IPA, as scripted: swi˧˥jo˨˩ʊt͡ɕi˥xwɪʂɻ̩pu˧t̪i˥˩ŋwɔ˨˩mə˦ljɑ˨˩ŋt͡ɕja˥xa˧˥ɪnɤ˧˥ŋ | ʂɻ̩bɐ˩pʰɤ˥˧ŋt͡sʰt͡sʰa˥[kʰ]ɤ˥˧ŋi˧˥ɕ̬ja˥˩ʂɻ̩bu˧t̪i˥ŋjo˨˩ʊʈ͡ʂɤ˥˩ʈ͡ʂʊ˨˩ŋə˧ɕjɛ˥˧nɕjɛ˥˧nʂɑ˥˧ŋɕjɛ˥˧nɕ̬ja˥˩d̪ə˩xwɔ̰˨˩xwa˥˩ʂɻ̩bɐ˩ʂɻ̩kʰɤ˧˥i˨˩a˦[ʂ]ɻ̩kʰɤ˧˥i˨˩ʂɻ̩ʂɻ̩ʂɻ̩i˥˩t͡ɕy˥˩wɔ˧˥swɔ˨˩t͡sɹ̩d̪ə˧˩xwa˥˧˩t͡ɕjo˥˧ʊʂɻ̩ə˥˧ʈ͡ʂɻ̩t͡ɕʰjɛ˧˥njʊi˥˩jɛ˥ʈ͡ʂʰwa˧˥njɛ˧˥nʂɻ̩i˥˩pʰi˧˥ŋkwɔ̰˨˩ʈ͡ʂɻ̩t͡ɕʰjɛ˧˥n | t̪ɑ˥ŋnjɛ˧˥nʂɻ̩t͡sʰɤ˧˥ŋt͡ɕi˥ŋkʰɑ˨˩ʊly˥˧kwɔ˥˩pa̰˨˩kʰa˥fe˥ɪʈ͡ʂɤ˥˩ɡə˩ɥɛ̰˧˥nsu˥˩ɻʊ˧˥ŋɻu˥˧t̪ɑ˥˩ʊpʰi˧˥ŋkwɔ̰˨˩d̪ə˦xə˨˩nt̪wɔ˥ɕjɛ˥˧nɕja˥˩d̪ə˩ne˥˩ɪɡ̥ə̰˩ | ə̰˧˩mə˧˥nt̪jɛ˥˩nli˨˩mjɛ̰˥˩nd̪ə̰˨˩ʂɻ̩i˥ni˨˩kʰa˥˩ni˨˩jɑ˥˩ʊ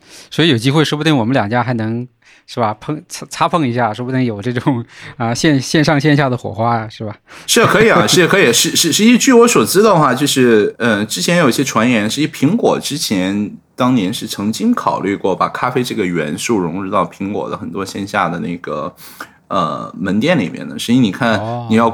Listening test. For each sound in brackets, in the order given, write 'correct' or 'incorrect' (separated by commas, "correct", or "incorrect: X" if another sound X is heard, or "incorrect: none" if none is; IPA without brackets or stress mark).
incorrect: pʰ, correct